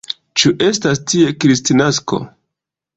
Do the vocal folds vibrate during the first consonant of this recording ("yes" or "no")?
no